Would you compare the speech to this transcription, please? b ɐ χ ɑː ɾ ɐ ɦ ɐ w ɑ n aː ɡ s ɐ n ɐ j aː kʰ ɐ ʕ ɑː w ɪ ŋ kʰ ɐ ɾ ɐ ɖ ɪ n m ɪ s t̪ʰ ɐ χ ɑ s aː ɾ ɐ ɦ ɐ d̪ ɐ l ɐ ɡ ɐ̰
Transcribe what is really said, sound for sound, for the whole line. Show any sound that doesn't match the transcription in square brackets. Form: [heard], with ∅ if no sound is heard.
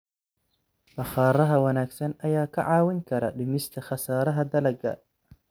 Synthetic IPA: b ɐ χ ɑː ɾ ɐ ɦ ɐ w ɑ n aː ɡ s ɐ n ɐ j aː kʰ ɐ ʕ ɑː w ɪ ŋ kʰ ɐ ɾ ɐ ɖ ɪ [∅] m ɪ s t̪ʰ ɐ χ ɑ s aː ɾ ɐ ɦ ɐ d̪ ɐ l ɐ ɡ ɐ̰